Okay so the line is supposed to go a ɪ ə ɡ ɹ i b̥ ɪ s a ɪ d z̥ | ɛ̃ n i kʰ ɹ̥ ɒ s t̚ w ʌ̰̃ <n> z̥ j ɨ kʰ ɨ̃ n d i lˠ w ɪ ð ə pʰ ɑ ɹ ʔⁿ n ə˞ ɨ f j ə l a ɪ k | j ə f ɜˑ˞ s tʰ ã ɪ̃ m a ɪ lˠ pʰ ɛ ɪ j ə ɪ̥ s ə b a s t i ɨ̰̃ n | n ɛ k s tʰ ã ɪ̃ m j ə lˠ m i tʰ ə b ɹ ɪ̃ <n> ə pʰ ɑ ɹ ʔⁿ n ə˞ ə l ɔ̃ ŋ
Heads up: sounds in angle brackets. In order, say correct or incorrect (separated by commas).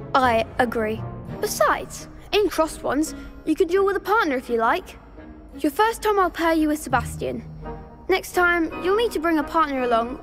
correct, incorrect